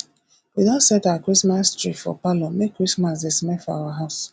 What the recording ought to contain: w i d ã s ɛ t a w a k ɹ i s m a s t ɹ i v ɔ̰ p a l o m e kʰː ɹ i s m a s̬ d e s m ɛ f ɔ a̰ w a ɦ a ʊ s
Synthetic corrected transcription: w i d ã s ɛ t a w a k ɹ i s m a s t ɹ i f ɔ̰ p a l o m e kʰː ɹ i s m a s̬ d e s m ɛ f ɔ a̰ w a ɦ a ʊ s